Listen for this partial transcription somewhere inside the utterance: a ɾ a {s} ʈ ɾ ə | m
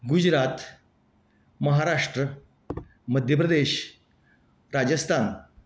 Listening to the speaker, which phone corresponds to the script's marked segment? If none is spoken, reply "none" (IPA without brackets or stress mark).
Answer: ʂ